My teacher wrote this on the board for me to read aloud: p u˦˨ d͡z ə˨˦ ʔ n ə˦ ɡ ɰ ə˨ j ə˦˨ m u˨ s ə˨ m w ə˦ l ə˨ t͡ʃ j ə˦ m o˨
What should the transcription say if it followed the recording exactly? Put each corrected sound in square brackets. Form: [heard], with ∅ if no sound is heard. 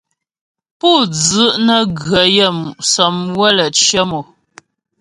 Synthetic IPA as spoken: p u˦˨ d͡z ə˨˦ ʔ n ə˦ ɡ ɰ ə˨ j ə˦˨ m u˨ s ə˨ m w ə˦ l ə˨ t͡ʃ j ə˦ m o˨